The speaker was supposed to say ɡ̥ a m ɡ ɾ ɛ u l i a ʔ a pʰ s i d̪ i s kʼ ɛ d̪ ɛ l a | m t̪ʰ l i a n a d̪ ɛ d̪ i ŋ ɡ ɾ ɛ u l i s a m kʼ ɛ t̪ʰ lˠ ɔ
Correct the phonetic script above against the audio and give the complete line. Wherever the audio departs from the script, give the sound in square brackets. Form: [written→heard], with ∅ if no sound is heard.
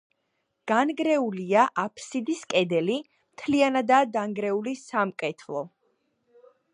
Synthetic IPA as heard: ɡ̥ a [m→n] ɡ ɾ ɛ u l i a ʔ a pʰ s i d̪ i s kʼ ɛ d̪ ɛ l [a→i] | m t̪ʰ l i a n a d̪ [ɛ→a] d̪ [i→a] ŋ ɡ ɾ ɛ u l i s a m kʼ ɛ t̪ʰ lˠ ɔ